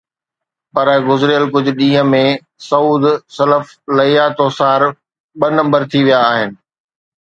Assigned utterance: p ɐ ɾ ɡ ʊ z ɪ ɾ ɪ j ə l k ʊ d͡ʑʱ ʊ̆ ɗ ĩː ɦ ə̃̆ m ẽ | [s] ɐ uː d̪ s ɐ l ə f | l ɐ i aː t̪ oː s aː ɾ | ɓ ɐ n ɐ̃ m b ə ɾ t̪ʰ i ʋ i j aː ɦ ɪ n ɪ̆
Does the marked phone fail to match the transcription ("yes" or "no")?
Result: no